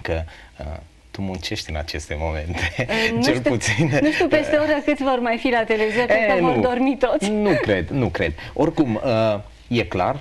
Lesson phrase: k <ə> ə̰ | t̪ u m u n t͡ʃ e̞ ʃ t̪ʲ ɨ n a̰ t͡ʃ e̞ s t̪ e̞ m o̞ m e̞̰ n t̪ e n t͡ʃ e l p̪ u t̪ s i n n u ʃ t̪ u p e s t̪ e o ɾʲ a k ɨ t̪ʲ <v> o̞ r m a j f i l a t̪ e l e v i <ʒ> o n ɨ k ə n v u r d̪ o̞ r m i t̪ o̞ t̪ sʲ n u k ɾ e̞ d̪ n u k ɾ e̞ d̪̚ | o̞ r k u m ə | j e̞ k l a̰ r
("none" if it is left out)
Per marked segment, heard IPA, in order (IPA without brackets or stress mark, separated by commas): ə, v, z